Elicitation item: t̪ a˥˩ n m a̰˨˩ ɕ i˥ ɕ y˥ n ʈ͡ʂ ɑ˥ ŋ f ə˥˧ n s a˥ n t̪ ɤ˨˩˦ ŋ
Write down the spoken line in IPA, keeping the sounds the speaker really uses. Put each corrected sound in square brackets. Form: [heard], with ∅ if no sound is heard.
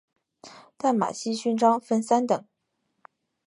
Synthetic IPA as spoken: t̪ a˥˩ n m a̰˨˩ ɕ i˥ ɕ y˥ n ʈ͡ʂ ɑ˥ ŋ f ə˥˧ n s a˥ n t̪ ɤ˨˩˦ ŋ